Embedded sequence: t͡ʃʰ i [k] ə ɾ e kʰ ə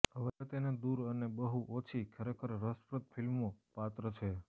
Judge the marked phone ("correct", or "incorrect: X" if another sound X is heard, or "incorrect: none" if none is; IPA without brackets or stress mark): incorrect: kʰ